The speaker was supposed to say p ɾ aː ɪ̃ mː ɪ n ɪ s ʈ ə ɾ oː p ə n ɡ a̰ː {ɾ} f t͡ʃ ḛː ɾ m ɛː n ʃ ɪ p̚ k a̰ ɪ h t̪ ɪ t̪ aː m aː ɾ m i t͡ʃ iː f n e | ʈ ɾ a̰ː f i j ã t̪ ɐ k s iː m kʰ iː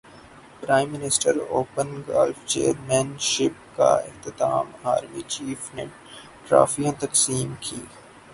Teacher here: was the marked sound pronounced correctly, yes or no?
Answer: no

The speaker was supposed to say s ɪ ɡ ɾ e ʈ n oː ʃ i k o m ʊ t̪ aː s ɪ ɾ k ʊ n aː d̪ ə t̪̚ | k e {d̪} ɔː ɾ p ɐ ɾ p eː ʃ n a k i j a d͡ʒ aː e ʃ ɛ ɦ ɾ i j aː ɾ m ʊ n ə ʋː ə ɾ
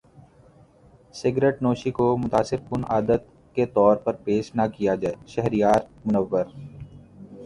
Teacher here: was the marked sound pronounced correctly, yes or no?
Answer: no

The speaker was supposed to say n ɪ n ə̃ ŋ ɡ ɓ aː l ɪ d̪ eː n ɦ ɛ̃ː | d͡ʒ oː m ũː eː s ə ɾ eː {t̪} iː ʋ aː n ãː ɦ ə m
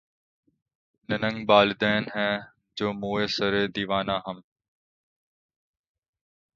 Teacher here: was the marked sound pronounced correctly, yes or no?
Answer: no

